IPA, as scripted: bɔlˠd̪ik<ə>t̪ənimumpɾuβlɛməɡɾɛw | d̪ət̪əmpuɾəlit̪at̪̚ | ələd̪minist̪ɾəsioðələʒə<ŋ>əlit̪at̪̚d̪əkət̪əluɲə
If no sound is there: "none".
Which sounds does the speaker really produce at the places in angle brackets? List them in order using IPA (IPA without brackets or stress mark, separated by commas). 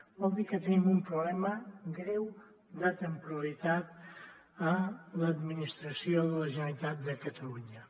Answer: ə, n